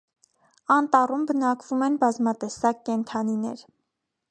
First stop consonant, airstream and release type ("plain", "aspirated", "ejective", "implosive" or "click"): plain